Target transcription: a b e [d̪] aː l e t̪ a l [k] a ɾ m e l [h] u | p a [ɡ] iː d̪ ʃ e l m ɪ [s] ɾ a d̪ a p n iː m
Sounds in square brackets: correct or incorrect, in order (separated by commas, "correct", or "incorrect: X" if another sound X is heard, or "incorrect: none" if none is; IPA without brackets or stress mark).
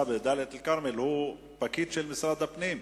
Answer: correct, correct, correct, incorrect: k, correct